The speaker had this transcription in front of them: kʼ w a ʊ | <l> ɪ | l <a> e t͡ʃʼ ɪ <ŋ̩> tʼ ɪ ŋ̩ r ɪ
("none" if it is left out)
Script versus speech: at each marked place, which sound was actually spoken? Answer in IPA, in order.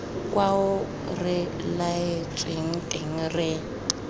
r, a, ŋ̩

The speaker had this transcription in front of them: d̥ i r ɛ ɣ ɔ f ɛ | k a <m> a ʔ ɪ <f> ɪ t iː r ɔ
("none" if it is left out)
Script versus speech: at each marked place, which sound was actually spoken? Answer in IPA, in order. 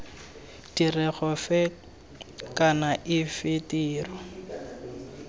n, f

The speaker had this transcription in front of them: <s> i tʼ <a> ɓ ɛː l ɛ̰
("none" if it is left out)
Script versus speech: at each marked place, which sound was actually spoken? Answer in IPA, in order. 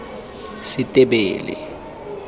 s, ɛ

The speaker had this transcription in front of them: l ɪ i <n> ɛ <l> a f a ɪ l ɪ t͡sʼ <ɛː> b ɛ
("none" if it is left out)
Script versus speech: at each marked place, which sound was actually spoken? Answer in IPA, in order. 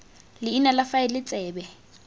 n, l, ɛː

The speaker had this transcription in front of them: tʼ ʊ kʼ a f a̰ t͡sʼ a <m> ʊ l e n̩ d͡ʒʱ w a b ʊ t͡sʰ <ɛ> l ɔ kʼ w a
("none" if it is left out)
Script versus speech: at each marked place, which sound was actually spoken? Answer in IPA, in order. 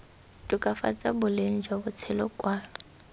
b, ɛ

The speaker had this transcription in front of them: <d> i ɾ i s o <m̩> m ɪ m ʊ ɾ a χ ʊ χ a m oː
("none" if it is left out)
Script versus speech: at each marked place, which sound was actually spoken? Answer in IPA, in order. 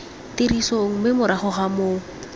t, ŋ̩

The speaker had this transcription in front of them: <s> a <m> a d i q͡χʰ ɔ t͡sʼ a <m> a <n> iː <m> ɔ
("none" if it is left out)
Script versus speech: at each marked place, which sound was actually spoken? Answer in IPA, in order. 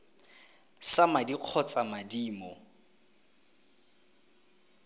s, m, m, d, m

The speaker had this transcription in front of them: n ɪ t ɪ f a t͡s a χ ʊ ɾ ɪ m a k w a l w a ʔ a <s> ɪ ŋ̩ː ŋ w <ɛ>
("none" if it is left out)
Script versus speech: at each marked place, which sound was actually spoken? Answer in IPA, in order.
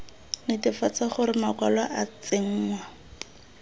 t͡s, a

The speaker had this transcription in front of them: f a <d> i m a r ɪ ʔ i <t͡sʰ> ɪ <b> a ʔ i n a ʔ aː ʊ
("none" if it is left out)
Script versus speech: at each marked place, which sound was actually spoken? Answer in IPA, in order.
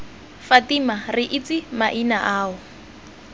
t, t͡s, m

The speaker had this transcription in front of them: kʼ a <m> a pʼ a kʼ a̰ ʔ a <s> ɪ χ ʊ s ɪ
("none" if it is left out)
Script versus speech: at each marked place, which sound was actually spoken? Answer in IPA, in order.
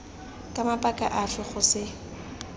m, f

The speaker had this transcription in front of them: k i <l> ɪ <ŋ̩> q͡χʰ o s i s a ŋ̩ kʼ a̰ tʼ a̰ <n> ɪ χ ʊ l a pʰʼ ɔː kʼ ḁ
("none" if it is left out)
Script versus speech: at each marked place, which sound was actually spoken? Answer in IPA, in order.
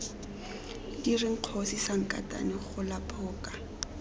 r, ŋ̩, n

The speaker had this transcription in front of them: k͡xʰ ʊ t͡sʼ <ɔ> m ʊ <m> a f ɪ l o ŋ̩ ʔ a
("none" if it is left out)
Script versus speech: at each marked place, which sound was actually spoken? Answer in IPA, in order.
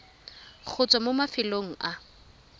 ɔ, m

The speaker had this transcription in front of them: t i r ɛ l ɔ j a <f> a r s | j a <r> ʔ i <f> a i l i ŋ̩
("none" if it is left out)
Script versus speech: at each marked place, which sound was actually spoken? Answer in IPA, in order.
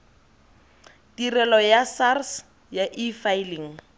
s, none, f

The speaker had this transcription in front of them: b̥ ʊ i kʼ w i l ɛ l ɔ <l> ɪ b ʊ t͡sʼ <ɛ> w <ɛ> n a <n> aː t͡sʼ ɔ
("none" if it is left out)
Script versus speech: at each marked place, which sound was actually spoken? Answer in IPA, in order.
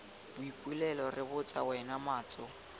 r, a, ɛ, m

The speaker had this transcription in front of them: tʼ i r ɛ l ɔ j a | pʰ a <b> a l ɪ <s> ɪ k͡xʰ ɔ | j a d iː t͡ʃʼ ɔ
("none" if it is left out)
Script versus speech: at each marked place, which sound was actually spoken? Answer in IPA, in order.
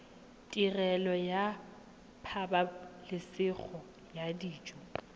b, s

